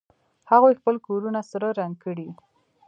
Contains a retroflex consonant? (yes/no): yes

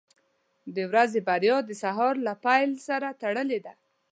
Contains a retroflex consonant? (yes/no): yes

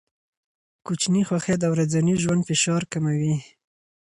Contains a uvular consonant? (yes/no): no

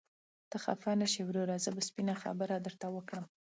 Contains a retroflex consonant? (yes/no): yes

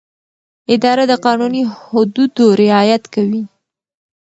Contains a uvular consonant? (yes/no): yes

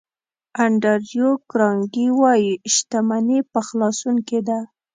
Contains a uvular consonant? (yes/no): no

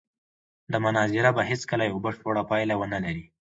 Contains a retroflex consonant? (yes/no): yes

